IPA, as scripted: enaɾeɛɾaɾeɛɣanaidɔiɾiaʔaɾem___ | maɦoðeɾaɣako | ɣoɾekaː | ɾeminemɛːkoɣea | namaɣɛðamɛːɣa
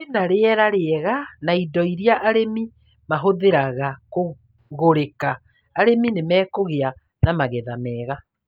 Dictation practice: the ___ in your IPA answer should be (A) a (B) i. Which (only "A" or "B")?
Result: B